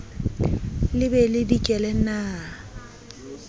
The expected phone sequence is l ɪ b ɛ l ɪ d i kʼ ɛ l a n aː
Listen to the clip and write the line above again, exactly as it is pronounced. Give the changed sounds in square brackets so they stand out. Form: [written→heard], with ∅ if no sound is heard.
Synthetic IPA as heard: l ɪ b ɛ l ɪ d i kʼ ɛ l [a→ɛ] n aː